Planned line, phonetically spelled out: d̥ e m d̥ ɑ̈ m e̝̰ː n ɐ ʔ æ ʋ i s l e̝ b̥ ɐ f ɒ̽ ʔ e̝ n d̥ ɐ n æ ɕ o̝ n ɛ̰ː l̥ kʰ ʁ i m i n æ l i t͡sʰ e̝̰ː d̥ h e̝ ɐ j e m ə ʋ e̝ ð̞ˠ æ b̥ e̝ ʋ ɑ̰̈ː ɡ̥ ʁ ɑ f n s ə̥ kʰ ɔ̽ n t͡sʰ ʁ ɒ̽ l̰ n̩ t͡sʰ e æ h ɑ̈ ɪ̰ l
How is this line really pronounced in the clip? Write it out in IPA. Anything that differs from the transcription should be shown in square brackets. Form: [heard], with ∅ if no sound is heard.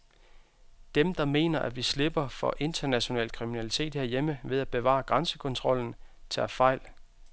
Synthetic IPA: d̥ e m d̥ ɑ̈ m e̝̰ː n ɐ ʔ æ ʋ i s l e̝ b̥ ɐ f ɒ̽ ʔ e̝ n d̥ ɐ n æ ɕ o̝ n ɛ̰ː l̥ kʰ ʁ i m i n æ l i t͡sʰ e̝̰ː d̥ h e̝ ɐ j e m ə ʋ e̝ ð̞ˠ æ b̥ e̝ ʋ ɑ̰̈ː ɡ̥ ʁ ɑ [∅] n s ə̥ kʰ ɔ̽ n t͡sʰ ʁ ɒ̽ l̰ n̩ t͡sʰ e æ [f] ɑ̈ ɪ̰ l

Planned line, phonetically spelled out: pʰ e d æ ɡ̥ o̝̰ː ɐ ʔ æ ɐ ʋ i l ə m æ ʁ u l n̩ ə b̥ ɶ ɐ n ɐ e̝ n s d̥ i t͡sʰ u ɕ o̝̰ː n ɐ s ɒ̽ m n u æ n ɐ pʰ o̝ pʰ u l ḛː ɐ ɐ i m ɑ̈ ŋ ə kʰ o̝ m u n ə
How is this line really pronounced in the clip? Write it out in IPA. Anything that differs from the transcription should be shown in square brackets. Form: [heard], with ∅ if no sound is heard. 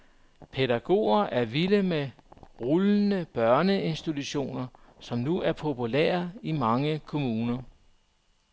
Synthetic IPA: pʰ e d æ ɡ̥ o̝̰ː ɐ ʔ æ ɐ ʋ i l ə m [e] ʁ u l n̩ ə b̥ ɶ ɐ n [ə] e̝ n s d̥ i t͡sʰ u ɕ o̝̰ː n ɐ s ɒ̽ m n u æ [∅] ɐ pʰ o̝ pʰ u l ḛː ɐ ɐ i m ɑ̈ ŋ ə kʰ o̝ m [uː] n [ɐ]

